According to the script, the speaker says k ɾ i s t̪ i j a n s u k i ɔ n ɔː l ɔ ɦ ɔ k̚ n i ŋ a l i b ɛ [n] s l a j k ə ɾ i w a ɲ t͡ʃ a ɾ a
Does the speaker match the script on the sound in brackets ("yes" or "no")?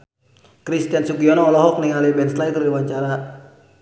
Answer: yes